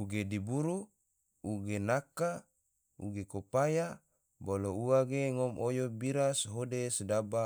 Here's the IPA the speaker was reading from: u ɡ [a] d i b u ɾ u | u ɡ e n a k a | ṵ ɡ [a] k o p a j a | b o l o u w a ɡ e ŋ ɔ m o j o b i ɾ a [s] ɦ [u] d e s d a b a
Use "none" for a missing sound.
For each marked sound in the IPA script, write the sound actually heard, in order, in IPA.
e, e, s, o

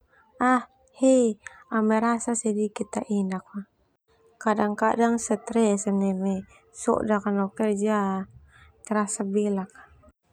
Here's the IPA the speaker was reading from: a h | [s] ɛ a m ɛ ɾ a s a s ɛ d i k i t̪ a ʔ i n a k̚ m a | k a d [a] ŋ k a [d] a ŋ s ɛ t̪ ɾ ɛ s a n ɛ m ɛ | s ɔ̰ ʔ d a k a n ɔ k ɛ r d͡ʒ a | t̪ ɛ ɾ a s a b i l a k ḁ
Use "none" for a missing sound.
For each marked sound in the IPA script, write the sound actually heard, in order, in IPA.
h, a, d

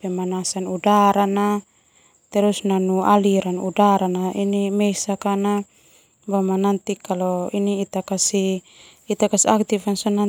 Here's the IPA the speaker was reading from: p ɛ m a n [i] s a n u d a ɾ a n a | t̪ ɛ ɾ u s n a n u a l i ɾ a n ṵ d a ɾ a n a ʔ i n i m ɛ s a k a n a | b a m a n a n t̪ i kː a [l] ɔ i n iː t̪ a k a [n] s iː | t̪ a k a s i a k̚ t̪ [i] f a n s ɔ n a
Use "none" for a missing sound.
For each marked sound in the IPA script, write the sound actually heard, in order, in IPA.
a, l, none, i

